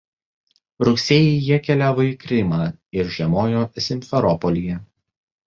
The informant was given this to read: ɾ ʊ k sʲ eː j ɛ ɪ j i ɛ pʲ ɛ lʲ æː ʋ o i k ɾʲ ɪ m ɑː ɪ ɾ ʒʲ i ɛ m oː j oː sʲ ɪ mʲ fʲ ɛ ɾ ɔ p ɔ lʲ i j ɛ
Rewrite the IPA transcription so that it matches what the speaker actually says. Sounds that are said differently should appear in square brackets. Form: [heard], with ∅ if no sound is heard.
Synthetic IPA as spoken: ɾ ʊ k sʲ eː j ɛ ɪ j i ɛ [kʲ] ɛ lʲ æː ʋ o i k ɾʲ ɪ m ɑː ɪ ɾ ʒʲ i ɛ m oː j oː sʲ ɪ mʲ fʲ ɛ ɾ ɔ p ɔ lʲ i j ɛ